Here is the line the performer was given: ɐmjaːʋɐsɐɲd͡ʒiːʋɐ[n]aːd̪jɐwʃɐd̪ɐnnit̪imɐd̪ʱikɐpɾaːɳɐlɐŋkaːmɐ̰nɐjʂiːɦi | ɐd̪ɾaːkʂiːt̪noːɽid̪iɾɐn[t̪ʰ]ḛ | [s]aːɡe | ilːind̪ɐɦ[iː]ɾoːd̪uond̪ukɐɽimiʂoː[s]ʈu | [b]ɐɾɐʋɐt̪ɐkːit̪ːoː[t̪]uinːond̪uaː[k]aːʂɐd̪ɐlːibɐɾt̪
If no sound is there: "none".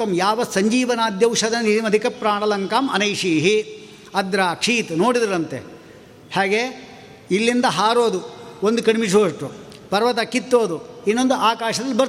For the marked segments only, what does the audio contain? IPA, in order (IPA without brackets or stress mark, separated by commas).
n, t̪, h, aː, ʂ, p, d̪, k